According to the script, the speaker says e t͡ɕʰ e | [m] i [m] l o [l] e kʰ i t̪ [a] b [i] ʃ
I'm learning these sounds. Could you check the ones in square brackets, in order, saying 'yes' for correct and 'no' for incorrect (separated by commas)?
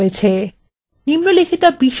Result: no, yes, yes, yes, yes